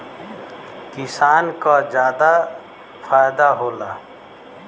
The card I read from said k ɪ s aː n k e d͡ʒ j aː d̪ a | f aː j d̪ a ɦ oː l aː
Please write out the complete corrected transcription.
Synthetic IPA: k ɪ s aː n k a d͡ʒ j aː d̪ a | f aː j d̪ a ɦ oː l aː

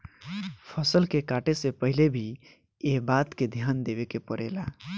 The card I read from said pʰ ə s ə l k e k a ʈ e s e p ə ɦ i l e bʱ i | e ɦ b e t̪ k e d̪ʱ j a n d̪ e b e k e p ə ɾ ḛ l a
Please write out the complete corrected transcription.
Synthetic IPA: pʰ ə s ə l k e k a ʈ e s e p ə ɦ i l e bʱ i | e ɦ b a t̪ k e d̪ʱ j a n d̪ e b e k e p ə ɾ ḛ l a

